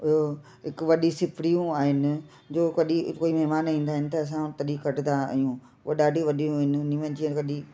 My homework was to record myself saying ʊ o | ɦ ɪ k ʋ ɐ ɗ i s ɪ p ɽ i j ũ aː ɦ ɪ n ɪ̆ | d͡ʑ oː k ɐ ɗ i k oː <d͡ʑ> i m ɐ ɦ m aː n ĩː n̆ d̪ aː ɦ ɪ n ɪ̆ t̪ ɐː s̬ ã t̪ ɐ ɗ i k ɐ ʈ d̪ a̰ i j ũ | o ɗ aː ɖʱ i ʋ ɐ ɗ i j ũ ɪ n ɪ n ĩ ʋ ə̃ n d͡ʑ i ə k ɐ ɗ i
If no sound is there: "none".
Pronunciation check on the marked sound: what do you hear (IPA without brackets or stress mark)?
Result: none